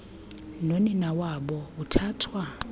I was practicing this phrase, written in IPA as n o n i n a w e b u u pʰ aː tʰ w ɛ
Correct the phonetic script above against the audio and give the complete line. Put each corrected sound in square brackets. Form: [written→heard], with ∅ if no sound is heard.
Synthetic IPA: n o n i n a w [e→a] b [u→ɔ] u [pʰ→tʰ] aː tʰ w [ɛ→a]